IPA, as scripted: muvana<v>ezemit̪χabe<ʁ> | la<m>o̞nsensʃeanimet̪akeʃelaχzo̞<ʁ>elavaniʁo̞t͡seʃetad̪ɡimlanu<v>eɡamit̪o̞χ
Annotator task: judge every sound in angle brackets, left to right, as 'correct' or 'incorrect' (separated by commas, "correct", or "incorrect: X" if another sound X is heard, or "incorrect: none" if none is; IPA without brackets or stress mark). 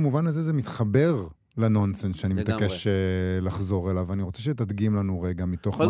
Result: incorrect: z, correct, incorrect: n, correct, incorrect: ʁ